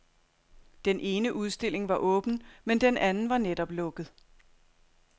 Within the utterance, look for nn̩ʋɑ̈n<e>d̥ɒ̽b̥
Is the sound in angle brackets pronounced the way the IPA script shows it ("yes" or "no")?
yes